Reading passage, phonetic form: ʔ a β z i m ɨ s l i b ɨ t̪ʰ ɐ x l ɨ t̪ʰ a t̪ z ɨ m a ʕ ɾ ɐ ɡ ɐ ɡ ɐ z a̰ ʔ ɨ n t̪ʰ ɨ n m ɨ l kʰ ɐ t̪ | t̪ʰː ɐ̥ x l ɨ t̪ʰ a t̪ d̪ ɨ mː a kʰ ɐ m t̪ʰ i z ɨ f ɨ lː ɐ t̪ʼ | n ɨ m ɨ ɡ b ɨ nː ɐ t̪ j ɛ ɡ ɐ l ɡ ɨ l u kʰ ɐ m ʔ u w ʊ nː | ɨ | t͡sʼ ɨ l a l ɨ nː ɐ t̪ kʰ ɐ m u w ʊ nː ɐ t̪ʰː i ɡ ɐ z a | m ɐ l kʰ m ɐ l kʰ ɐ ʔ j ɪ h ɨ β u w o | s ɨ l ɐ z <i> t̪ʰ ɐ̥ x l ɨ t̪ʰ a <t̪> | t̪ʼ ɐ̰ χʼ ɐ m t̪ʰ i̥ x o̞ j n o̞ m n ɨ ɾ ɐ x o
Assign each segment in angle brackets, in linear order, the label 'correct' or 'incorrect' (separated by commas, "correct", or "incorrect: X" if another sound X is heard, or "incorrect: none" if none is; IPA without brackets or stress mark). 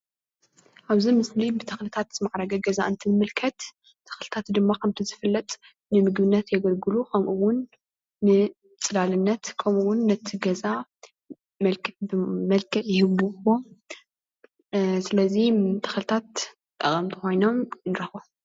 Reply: correct, correct